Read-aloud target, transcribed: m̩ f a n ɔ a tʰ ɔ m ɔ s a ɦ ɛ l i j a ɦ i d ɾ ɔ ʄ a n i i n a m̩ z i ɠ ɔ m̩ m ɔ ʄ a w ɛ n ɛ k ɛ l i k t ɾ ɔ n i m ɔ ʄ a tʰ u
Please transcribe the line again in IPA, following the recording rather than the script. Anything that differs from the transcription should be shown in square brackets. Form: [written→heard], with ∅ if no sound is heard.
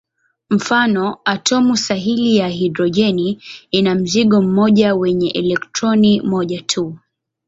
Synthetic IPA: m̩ f a n ɔ a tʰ ɔ m [ɔ→u] s a ɦ [ɛ→i] l i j a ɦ i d ɾ ɔ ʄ [a→ɛ] n i i n a m̩ z i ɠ ɔ m̩ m ɔ ʄ a w ɛ [n→ɲ] ɛ [k→ʔ] ɛ l [i→ɛ] k t ɾ ɔ n i m ɔ ʄ a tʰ u